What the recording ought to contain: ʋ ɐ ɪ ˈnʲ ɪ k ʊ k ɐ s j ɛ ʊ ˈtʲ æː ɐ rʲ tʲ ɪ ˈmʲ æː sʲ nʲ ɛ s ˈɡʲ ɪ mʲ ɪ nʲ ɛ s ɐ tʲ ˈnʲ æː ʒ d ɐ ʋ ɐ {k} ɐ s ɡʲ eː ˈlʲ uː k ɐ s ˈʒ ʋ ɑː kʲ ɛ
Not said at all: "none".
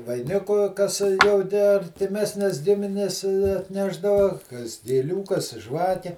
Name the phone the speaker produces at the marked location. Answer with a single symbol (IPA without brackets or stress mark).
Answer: k